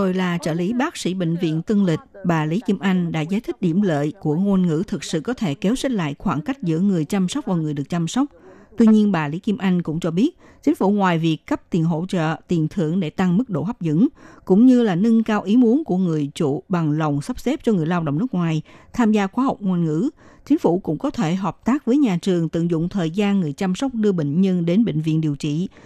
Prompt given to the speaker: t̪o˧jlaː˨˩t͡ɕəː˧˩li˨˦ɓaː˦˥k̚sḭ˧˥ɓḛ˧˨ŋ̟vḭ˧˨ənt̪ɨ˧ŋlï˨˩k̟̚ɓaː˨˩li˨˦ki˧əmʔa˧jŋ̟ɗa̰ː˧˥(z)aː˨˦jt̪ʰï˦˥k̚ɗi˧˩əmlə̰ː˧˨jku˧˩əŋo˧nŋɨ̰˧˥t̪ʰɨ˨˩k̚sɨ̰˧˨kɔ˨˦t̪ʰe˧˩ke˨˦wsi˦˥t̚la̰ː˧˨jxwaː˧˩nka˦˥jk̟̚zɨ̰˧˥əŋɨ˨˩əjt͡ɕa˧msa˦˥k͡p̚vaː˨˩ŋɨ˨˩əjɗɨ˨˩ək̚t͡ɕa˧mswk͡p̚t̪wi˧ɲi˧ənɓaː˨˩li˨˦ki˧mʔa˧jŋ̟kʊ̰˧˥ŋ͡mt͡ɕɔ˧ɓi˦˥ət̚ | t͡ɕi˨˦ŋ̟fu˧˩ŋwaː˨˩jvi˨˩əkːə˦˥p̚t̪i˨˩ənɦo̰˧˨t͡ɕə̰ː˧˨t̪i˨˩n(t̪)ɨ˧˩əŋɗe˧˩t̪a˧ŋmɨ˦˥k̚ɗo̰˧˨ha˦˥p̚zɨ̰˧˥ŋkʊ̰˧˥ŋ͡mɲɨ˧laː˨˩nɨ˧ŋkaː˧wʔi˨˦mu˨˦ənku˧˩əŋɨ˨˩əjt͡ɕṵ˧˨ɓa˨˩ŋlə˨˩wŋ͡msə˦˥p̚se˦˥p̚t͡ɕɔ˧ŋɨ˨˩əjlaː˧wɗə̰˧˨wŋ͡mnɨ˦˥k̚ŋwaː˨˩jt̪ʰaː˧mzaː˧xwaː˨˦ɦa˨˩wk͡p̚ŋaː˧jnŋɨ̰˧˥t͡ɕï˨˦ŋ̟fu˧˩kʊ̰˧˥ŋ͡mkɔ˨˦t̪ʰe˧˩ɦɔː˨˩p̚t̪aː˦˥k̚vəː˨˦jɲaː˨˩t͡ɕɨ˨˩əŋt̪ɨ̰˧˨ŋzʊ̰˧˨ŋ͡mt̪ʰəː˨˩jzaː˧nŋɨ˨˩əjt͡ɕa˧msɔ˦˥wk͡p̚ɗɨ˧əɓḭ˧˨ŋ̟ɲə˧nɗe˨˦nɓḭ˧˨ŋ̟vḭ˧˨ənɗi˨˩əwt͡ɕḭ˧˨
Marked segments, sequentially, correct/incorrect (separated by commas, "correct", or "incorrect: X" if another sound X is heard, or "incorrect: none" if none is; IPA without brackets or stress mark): correct, incorrect: t̪ʰ